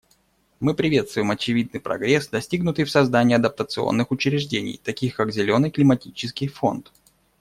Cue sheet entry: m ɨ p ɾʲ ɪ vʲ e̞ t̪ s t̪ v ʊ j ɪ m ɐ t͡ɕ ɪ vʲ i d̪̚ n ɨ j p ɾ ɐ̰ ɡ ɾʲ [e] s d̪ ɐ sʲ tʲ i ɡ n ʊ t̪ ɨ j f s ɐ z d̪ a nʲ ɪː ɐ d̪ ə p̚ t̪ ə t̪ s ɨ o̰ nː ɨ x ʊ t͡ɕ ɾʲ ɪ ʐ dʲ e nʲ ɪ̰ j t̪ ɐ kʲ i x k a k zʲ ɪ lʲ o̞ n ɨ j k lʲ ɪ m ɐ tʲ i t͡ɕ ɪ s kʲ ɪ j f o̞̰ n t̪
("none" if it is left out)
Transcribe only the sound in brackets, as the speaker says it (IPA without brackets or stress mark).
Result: e